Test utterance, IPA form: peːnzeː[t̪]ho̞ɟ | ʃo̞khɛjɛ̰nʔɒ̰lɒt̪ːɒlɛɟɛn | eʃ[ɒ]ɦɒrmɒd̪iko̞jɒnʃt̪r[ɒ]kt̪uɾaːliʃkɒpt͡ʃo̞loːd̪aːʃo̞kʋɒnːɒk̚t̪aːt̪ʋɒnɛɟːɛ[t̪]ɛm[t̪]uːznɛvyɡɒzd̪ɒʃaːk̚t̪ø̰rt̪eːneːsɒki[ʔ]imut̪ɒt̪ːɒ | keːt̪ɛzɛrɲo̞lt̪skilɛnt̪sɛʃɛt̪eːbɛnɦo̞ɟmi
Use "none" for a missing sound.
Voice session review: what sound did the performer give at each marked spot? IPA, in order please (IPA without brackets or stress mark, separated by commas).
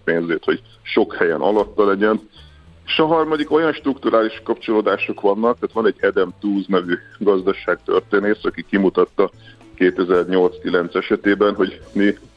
t̪, ɒ, u, d̪, t̪, k